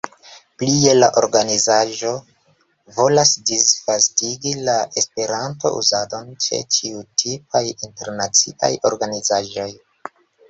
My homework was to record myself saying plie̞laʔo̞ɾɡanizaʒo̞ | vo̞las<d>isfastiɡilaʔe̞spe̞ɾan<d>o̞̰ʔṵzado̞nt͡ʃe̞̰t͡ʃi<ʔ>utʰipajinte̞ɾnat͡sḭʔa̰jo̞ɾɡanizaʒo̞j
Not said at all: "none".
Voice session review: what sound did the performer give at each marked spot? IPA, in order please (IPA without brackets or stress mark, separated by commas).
d, t, none